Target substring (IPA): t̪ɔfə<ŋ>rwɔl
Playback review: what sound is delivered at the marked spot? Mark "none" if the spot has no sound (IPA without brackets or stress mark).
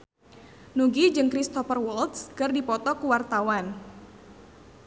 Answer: none